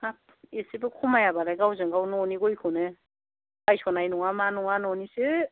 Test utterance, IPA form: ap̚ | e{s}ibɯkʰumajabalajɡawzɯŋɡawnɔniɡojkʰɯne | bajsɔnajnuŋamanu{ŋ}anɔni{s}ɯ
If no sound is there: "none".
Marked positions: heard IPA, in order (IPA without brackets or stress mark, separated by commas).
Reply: s, ŋ, s